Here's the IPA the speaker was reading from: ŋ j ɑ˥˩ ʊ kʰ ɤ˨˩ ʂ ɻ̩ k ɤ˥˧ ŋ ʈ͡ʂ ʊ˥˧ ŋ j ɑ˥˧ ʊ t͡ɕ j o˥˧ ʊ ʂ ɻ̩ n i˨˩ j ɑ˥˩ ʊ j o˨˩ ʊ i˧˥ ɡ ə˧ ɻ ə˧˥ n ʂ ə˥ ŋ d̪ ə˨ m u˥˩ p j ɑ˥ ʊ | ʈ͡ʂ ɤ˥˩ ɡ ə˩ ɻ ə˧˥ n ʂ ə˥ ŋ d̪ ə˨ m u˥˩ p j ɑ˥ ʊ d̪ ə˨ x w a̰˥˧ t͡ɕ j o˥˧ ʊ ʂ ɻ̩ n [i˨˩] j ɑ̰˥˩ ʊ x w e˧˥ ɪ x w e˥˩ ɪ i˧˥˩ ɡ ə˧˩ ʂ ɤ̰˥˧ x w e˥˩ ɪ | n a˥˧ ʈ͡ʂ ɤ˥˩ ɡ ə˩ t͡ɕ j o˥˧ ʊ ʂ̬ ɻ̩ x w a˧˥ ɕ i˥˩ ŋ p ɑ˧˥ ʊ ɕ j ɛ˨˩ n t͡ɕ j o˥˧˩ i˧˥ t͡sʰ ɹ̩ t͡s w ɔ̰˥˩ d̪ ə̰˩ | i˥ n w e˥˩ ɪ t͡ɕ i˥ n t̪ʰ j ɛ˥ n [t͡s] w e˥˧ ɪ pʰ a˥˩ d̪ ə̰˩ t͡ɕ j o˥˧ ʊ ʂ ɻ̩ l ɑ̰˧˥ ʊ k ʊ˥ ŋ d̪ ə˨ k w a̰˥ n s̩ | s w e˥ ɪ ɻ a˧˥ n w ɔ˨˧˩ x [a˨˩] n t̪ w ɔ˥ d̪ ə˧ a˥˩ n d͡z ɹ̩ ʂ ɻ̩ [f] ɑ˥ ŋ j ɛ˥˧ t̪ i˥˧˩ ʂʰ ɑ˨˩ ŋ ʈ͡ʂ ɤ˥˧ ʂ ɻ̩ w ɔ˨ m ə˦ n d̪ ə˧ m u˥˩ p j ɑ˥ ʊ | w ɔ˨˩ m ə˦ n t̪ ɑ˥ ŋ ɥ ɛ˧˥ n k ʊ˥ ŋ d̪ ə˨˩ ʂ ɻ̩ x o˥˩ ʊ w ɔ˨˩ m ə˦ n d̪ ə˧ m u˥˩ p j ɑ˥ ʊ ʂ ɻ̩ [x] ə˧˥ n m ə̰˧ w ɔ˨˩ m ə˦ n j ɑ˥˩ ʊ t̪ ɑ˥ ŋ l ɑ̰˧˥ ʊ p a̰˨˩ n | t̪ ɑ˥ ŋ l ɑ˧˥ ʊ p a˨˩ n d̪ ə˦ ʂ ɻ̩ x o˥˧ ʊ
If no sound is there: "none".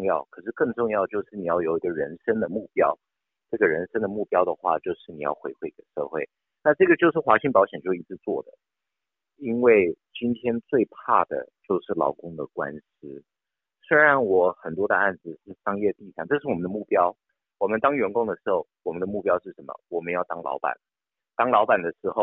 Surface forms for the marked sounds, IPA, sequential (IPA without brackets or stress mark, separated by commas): i˨˩, t͡s, ə˨˩, ʂ, ʂ